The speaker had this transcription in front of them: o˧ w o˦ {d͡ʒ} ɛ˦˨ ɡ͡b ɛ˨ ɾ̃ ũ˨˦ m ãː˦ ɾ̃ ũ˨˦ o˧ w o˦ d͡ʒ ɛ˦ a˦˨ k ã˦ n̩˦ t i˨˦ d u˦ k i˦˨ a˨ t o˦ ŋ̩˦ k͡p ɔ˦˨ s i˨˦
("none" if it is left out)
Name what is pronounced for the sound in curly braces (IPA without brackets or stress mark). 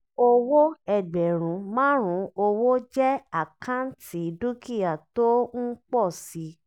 none